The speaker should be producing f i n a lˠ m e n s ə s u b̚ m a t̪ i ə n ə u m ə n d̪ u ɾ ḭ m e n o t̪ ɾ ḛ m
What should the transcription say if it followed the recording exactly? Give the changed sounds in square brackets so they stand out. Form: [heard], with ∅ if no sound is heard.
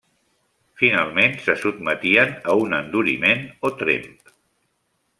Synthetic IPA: f i n a lˠ m e n s ə s u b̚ m [ə] t̪ i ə n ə u [n] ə n d̪ u ɾ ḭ m e n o t̪ ɾ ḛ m